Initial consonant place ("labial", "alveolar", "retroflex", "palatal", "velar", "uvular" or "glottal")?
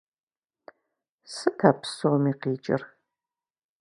alveolar